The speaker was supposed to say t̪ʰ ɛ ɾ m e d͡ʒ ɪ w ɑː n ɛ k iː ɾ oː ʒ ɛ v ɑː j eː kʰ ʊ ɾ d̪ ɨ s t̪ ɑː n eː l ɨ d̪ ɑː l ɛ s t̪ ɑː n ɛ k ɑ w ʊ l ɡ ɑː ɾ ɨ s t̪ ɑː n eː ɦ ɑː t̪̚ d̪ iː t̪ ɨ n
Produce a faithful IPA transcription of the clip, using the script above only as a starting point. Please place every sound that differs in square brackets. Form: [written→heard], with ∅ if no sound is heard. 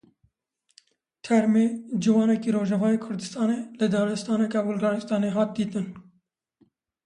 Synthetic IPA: t̪ʰ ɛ ɾ m e d͡ʒ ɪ w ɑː n ɛ k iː ɾ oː ʒ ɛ v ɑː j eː kʰ ʊ ɾ d̪ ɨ s t̪ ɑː n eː l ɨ d̪ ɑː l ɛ s t̪ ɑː n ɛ k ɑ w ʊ l ɡ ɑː ɾ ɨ s t̪ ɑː n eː ɦ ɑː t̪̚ d̪ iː t̪ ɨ n